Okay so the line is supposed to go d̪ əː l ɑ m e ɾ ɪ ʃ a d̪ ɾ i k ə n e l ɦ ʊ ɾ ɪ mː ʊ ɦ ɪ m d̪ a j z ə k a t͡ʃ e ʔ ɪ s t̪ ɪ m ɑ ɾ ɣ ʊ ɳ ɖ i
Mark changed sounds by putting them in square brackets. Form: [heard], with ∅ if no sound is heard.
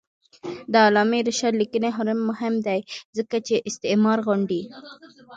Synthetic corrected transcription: d̪ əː l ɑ m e ɾ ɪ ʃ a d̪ [l] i k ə n e [∅] ɦ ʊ ɾ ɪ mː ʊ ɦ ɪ m d̪ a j z ə k a t͡ʃ e ʔ ɪ s t̪ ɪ m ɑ ɾ ɣ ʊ ɳ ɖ i